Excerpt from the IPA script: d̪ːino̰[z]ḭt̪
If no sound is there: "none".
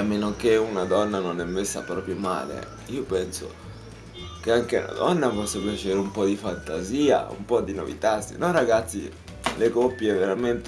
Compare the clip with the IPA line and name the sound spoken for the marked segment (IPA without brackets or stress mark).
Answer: v